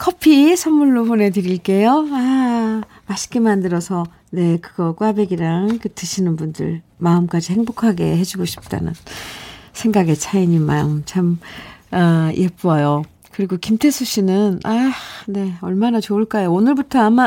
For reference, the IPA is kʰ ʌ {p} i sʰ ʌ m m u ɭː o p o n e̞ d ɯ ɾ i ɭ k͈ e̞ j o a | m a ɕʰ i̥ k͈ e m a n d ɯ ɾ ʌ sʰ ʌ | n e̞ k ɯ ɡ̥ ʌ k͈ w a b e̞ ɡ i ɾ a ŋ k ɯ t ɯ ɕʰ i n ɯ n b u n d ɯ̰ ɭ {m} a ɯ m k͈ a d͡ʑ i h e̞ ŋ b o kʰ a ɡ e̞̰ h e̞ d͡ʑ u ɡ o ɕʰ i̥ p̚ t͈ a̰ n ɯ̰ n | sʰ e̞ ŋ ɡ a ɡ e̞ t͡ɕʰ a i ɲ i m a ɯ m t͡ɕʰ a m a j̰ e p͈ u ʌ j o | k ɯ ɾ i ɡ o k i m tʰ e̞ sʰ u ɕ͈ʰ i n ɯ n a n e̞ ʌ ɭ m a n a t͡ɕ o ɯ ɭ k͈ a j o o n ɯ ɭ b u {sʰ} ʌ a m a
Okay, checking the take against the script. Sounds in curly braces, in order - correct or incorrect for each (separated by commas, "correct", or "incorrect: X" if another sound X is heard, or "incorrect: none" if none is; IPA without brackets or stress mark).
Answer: incorrect: pʰ, correct, incorrect: tʰ